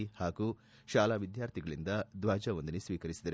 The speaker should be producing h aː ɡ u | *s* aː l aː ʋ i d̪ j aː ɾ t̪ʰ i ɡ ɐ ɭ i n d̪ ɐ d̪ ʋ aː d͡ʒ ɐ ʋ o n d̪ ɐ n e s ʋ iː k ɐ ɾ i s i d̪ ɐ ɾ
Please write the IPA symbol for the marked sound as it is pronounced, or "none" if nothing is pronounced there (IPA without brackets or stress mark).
ʃ